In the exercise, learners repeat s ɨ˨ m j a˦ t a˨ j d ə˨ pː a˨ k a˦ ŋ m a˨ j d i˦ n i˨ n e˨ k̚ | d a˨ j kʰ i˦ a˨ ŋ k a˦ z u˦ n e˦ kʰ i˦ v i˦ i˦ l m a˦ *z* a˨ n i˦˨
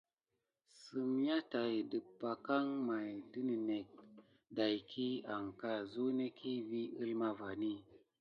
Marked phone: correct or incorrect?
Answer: incorrect: v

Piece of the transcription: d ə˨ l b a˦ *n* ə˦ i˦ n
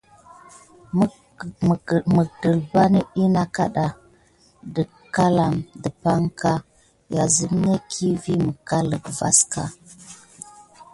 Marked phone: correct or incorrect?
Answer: correct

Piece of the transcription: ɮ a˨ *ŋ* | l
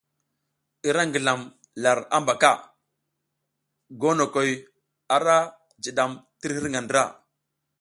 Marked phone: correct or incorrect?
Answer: incorrect: m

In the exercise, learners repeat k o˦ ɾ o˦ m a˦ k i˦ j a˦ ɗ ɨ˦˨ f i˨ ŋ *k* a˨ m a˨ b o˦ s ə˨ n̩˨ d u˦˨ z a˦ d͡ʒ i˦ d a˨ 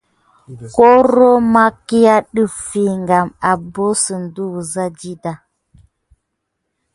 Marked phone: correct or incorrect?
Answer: incorrect: ɡ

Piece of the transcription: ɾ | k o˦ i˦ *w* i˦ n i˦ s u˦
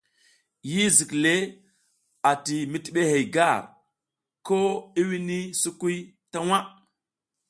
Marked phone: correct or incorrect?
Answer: correct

